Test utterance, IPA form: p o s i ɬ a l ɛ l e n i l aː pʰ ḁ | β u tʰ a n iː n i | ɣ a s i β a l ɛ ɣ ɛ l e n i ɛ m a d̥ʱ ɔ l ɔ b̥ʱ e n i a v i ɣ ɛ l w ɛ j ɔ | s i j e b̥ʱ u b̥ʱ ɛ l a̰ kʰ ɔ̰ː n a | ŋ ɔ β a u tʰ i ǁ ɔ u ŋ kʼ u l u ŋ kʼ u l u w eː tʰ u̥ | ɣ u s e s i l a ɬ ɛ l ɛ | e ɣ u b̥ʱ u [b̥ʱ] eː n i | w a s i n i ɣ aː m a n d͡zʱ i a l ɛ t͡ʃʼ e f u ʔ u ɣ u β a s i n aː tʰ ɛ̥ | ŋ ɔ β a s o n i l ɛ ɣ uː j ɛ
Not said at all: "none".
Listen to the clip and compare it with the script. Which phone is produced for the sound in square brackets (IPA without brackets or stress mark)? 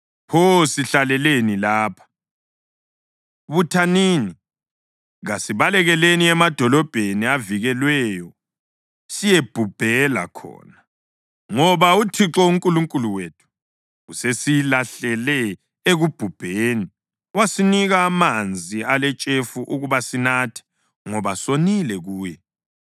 b̥ʱ